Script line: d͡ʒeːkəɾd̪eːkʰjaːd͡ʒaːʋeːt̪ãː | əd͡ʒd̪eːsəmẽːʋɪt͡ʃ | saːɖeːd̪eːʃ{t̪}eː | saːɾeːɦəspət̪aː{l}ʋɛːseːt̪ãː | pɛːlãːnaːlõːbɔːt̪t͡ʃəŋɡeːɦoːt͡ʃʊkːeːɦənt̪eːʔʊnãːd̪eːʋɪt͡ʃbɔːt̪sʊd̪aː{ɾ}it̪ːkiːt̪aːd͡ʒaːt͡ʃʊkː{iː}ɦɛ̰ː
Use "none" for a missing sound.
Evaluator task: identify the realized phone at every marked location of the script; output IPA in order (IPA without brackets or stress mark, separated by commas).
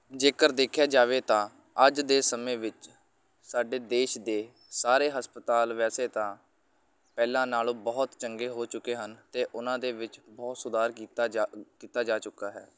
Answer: d̪, l, ɾ, aː